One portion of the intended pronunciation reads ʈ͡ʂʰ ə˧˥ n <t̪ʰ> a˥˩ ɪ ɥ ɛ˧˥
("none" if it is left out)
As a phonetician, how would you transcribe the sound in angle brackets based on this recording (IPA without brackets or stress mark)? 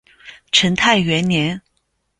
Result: t̪ʰ